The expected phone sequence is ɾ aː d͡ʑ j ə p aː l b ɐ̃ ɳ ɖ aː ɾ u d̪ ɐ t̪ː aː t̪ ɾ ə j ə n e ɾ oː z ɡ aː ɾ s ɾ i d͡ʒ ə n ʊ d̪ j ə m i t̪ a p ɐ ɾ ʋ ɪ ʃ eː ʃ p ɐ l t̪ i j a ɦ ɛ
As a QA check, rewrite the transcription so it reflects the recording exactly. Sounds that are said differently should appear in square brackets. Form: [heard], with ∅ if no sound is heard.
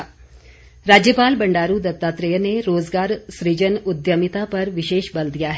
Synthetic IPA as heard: ɾ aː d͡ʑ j ə p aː l b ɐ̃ ɳ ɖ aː ɾ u d̪ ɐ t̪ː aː t̪ ɾ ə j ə n e ɾ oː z ɡ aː ɾ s ɾ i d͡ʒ ə n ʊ d̪ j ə m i t̪ a p ɐ ɾ ʋ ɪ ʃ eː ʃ [b] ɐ l [d̪] i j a ɦ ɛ